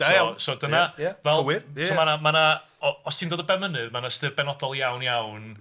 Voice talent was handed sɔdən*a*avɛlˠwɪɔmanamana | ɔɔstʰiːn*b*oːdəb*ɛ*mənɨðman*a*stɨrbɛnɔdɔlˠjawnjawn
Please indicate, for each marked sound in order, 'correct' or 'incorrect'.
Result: correct, incorrect: d, correct, correct

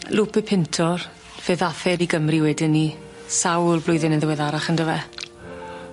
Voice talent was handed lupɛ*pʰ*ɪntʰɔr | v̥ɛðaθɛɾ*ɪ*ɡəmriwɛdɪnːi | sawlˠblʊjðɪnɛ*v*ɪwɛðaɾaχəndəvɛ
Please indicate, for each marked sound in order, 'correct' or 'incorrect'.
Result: correct, incorrect: i, incorrect: ð

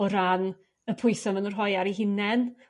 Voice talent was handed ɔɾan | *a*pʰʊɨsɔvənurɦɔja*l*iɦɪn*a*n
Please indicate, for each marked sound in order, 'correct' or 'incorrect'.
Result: incorrect: ə, incorrect: ɾ, incorrect: ɛ

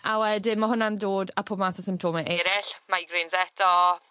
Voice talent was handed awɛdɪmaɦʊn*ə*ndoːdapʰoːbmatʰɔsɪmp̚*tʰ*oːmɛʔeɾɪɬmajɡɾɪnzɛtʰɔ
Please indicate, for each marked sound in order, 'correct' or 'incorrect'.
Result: incorrect: a, correct

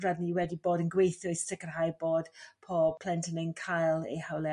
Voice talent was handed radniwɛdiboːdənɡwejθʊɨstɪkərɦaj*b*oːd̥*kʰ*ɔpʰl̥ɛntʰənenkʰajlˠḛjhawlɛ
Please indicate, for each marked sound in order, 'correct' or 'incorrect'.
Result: correct, incorrect: pʰ

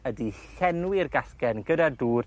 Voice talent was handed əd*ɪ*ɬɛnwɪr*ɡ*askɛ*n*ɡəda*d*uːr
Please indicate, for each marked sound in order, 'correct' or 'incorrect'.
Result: incorrect: i, correct, correct, correct

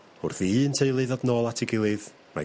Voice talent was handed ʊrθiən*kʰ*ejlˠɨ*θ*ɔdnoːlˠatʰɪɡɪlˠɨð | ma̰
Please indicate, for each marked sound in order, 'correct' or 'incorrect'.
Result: incorrect: tʰ, incorrect: ð

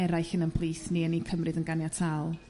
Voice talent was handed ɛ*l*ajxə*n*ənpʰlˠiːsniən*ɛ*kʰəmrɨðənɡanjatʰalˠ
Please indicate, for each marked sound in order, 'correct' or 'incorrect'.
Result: incorrect: ɾ, correct, incorrect: i

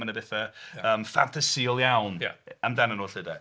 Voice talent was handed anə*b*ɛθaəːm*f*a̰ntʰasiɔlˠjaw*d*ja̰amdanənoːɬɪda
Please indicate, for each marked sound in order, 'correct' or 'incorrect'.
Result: correct, correct, incorrect: n

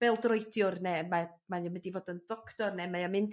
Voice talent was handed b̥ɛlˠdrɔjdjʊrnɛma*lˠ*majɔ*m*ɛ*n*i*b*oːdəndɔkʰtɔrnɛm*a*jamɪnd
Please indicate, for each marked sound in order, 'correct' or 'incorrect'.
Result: incorrect: none, correct, incorrect: d, incorrect: v, correct

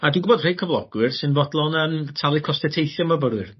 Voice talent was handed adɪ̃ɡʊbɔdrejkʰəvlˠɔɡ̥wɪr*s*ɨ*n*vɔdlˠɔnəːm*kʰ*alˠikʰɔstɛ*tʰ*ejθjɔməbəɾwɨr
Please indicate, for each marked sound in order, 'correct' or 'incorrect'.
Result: correct, correct, incorrect: tʰ, correct

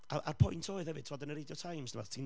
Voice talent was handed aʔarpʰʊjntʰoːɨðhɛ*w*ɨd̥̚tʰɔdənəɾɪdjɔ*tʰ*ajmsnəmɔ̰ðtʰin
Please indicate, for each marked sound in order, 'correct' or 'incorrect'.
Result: incorrect: v, correct

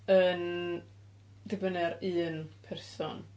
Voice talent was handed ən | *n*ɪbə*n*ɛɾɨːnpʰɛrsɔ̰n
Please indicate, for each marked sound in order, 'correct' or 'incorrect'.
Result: incorrect: d, correct

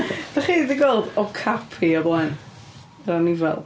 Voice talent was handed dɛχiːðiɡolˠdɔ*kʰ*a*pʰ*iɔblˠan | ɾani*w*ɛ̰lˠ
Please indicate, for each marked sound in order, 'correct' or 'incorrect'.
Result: correct, correct, incorrect: v

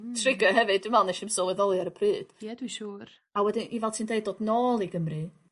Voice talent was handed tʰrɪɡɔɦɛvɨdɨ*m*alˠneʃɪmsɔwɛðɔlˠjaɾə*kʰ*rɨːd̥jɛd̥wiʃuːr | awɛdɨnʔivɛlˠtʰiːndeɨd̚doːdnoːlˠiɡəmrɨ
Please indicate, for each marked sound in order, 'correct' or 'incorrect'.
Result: correct, incorrect: pʰ

